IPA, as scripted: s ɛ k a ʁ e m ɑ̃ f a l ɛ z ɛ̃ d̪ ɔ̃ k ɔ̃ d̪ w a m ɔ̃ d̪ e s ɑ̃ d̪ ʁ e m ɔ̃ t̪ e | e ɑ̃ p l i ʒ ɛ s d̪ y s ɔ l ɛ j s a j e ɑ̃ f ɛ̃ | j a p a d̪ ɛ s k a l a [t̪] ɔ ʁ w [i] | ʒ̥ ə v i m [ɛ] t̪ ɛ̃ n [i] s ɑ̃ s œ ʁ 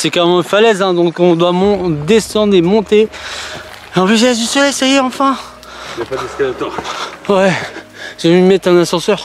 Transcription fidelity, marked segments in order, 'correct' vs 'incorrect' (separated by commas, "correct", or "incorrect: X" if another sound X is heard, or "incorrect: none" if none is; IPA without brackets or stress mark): correct, incorrect: ɛ, correct, incorrect: a